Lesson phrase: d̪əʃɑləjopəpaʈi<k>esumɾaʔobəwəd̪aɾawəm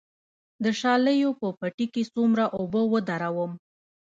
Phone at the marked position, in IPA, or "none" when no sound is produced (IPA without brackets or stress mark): k